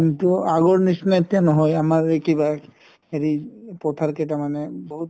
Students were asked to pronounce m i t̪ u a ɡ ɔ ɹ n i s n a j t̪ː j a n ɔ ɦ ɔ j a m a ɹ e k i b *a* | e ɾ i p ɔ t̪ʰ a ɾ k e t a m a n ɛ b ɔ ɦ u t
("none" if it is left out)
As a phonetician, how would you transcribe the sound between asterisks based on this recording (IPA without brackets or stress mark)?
a